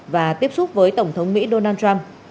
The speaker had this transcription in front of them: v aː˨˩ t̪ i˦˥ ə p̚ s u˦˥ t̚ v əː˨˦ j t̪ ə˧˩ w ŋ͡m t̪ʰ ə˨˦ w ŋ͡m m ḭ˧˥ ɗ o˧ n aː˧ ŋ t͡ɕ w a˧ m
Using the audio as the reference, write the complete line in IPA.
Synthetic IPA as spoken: v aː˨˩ t̪ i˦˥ ə p̚ s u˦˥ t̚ v əː˨˦ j t̪ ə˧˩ w ŋ͡m t̪ʰ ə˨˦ w ŋ͡m m ḭ˧˥ ɗ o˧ n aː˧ n t͡ɕ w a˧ m